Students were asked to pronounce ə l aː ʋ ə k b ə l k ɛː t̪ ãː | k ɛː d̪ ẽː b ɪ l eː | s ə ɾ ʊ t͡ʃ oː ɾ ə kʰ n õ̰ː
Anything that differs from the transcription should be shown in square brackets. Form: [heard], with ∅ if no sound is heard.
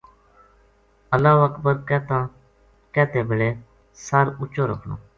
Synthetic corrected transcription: ə l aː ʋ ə k b ə [ɾ] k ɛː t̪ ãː | k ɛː [t̪] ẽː b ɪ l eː | s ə ɾ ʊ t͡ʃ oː ɾ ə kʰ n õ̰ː